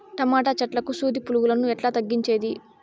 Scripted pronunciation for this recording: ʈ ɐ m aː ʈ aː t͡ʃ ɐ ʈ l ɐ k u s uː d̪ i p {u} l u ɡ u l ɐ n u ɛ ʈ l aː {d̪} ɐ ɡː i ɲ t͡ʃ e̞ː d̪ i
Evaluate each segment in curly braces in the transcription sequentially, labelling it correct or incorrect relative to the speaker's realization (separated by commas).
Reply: correct, incorrect